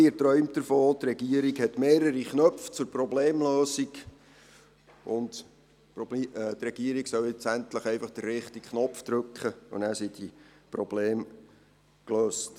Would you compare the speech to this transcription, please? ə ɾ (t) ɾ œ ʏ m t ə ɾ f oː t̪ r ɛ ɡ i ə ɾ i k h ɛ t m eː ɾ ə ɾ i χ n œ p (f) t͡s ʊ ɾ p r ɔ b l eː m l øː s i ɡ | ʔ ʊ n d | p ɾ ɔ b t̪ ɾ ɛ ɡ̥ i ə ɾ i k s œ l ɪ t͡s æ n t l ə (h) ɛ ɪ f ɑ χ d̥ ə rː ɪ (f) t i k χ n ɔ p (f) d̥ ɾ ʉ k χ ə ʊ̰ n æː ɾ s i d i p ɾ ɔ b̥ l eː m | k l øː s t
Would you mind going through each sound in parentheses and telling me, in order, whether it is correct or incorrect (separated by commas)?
correct, correct, incorrect, incorrect, correct